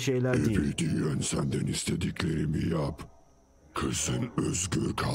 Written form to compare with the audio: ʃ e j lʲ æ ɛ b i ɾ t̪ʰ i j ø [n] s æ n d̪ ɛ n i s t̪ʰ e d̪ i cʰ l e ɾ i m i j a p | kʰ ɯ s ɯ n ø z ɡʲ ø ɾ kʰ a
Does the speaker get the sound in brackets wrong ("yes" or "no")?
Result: no